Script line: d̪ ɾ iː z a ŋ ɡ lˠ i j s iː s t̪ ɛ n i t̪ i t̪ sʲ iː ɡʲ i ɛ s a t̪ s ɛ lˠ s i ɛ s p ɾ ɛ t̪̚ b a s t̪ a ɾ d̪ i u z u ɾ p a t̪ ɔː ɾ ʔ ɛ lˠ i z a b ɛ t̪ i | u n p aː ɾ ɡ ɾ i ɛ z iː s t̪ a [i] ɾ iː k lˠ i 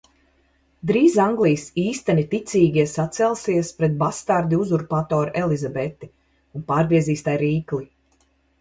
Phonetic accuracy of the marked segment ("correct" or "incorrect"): incorrect